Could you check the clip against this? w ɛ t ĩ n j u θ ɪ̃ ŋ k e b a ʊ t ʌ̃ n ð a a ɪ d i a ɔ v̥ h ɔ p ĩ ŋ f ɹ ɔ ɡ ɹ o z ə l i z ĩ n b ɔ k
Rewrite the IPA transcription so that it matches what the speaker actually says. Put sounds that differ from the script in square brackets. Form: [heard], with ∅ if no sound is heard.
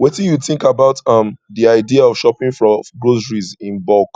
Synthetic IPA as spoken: w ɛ t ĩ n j u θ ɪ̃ ŋ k [a] b a ʊ t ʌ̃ [m] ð [i] a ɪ d i a ɔ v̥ [ʃ] ɔ p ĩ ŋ f ɹ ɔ ɡ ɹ o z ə [ɹ] i z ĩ n b ɔ k